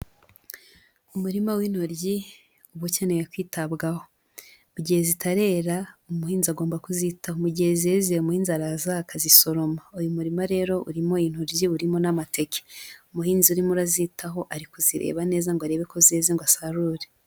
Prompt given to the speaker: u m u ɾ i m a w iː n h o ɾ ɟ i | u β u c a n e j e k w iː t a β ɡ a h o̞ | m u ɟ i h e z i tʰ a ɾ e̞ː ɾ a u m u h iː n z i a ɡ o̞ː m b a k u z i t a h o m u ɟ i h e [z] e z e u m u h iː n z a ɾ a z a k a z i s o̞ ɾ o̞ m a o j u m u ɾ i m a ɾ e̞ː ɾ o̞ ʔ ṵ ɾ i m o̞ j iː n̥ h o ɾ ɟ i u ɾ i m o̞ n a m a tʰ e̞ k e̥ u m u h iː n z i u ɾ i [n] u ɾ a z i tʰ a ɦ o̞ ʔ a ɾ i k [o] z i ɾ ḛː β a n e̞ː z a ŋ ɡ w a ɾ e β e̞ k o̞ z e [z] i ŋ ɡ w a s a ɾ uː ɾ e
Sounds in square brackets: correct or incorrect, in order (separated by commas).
correct, incorrect, incorrect, correct